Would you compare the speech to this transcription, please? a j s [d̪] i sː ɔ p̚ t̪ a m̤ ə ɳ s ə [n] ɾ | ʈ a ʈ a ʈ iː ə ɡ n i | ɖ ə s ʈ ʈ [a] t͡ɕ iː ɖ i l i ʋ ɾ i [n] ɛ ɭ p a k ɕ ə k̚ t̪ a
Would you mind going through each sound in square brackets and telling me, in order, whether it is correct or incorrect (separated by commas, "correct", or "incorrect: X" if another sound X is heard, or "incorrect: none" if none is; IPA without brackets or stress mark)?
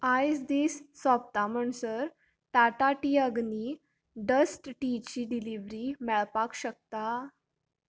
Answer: correct, incorrect: none, incorrect: i, incorrect: m